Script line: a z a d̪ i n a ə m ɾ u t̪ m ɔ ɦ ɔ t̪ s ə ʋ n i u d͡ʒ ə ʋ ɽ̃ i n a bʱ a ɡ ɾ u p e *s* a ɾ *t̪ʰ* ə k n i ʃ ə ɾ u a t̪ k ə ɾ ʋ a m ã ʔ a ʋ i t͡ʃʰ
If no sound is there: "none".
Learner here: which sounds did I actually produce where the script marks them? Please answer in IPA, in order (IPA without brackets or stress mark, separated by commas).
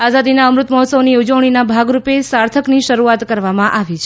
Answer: s, t̪ʰ